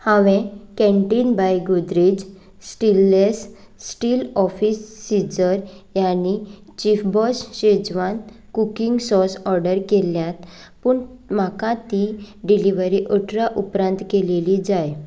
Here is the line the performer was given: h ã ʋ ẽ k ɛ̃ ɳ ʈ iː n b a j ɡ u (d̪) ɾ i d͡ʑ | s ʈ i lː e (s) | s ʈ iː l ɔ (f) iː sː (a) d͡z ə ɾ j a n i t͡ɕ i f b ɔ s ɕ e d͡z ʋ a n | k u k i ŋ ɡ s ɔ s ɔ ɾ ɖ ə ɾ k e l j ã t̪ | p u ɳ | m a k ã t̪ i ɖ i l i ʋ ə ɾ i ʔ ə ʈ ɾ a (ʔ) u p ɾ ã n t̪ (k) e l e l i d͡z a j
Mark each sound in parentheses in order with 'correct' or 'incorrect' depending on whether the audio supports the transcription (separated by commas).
correct, correct, correct, incorrect, correct, correct